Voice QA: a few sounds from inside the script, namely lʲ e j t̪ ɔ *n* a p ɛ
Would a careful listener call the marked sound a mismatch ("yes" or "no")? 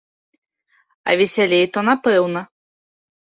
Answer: no